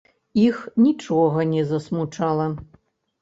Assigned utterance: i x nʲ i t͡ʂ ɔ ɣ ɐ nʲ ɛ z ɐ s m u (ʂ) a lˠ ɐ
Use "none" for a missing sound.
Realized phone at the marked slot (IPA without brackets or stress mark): t͡ʂ